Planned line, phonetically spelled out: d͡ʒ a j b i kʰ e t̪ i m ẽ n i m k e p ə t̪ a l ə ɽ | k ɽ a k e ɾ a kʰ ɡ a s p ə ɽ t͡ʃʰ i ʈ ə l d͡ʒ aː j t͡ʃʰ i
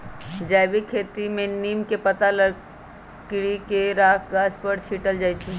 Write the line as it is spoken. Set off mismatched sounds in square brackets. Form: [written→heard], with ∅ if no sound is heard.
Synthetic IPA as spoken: d͡ʒ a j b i kʰ e t̪ i m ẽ n i m k e p ə t̪ a l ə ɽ | k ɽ [a→i] k e ɾ a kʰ ɡ a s p ə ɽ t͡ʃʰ i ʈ ə l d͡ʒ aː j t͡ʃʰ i